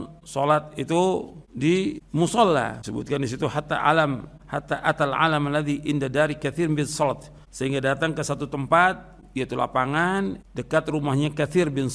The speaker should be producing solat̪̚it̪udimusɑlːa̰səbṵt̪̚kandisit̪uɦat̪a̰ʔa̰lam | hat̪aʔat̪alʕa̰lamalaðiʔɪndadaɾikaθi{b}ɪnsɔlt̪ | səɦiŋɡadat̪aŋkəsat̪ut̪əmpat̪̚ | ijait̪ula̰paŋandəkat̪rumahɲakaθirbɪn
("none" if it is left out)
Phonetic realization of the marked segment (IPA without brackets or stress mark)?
b